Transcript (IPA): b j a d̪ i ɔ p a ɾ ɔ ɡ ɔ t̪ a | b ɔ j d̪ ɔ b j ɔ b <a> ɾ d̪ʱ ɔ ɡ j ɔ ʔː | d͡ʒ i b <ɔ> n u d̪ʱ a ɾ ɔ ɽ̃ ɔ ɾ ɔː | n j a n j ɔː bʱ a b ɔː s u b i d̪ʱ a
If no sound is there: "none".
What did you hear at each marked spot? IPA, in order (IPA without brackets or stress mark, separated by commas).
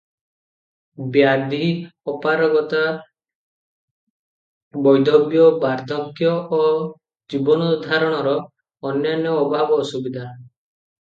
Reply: a, ɔ